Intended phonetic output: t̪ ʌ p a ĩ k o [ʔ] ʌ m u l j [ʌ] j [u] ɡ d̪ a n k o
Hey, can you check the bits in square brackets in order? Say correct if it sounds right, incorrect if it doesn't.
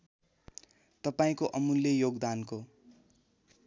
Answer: correct, correct, incorrect: o

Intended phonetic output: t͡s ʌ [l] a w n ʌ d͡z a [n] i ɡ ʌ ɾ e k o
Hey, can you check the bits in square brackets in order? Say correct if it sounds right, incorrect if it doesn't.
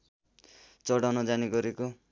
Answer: incorrect: ɽ, correct

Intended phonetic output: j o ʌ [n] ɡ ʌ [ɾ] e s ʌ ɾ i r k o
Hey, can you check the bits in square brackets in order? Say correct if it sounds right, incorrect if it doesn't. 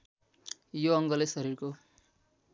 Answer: incorrect: ŋ, incorrect: l

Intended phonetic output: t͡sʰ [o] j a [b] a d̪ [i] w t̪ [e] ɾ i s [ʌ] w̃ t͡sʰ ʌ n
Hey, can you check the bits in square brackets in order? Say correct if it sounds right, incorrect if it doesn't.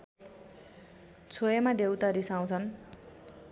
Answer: correct, incorrect: m, incorrect: e, incorrect: a, incorrect: a

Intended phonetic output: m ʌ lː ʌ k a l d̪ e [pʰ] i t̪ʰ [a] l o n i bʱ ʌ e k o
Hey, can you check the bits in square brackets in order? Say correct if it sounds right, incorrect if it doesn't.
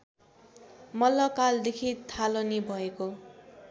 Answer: incorrect: kʰ, correct

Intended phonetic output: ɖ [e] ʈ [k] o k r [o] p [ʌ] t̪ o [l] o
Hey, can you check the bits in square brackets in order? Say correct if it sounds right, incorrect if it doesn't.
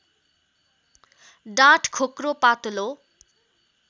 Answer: incorrect: a, incorrect: kʰ, correct, incorrect: a, correct

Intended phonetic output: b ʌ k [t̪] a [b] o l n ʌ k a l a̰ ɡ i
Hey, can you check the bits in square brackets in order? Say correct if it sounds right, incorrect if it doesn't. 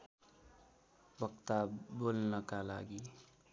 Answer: correct, correct

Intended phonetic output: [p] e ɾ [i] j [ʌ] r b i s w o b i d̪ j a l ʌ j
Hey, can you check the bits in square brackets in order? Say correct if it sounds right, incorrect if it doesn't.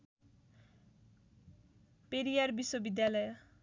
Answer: correct, correct, incorrect: a

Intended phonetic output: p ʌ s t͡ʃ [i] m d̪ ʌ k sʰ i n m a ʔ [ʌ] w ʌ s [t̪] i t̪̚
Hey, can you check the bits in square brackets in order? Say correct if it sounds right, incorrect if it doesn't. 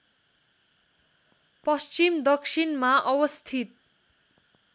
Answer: correct, correct, incorrect: t̪ʰ

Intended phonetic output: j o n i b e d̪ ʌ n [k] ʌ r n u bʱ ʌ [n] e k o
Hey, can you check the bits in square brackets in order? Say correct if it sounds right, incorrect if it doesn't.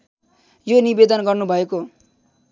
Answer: incorrect: ɡ, incorrect: none

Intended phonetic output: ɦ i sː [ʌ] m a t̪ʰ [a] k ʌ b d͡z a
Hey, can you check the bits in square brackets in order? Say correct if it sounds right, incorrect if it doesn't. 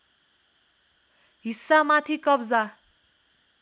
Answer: incorrect: a, incorrect: i

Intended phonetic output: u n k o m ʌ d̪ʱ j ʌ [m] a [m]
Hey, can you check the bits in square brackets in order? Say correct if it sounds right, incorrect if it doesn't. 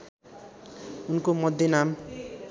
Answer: incorrect: n, correct

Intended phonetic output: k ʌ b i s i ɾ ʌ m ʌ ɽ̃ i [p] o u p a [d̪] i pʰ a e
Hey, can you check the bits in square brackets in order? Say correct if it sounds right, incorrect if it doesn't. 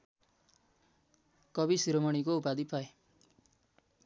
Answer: incorrect: k, correct

